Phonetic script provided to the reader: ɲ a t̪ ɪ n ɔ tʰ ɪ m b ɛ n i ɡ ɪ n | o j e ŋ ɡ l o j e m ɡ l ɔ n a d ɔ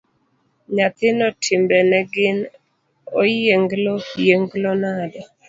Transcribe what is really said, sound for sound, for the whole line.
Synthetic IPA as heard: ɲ a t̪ ɪ n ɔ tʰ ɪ m b ɛ n ɛ ɡ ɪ n | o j e ŋ ɡ l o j e ŋ ɡ l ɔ n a d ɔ